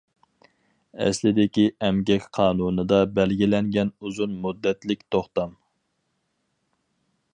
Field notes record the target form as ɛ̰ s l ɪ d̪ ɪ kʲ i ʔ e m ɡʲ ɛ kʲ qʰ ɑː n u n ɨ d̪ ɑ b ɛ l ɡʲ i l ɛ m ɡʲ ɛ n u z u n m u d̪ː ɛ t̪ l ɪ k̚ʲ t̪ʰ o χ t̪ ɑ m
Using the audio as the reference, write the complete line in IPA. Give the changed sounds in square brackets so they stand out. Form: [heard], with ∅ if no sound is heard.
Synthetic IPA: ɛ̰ s l ɪ d̪ ɪ kʲ i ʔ [ɛ] m ɡʲ ɛ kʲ qʰ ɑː n u n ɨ d̪ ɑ b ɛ l ɡʲ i l ɛ [ŋ] ɡʲ ɛ n u z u n m u d̪ː ɛ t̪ l ɪ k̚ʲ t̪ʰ o χ t̪ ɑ m